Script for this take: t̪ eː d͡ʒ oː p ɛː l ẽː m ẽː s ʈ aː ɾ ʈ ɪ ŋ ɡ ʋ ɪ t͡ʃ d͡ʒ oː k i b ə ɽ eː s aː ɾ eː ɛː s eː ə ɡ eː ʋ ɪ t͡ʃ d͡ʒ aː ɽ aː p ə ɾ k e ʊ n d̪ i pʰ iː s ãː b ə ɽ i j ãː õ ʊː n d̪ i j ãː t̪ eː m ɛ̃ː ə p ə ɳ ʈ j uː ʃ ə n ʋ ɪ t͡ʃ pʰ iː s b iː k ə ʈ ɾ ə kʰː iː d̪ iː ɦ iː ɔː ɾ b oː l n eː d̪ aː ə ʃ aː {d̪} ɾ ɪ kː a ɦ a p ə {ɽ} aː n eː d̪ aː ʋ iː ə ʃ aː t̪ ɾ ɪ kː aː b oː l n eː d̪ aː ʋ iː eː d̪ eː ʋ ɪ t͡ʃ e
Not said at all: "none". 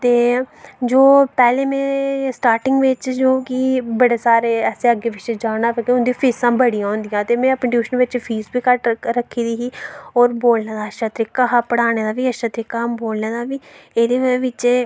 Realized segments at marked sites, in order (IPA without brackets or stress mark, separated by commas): t̪, ɽ